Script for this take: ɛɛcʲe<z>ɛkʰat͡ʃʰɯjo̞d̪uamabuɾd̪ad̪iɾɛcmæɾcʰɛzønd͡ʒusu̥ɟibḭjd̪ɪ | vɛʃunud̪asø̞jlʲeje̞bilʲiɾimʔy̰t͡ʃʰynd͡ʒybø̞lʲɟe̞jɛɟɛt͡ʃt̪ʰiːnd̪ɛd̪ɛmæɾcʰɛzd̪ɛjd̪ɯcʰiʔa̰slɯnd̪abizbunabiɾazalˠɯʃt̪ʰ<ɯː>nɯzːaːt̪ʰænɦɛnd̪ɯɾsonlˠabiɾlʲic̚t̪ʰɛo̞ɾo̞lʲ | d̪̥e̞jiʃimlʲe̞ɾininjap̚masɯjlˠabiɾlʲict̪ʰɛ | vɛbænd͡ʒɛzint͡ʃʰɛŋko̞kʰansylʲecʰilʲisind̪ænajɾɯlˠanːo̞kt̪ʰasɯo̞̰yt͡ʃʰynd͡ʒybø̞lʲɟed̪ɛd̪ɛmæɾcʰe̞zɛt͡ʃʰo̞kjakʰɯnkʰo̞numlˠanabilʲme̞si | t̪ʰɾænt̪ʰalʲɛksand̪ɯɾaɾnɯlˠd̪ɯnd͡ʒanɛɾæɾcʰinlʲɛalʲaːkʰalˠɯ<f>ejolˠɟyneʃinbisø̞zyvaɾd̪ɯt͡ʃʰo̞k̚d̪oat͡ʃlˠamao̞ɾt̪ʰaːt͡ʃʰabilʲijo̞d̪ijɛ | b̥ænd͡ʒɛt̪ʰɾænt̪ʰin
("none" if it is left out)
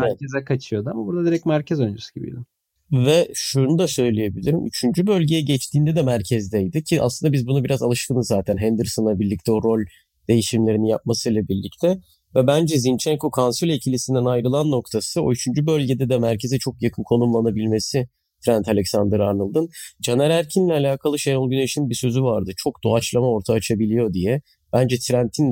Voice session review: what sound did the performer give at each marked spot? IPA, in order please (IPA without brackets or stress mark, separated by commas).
z, ɯ, ʃ